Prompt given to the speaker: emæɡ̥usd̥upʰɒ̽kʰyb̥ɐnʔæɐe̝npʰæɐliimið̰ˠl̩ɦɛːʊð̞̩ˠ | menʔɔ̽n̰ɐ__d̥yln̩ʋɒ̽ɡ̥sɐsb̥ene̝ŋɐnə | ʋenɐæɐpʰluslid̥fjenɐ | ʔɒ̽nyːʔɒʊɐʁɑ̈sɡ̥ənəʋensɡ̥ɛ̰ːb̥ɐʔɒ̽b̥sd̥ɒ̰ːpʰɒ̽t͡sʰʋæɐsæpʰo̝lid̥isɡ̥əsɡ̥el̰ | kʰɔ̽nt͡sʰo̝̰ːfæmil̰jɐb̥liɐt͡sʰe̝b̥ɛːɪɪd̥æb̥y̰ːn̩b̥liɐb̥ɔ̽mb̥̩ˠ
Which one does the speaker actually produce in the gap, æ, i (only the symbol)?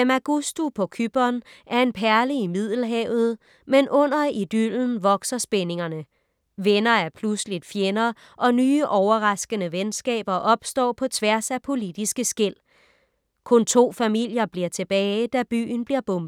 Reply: i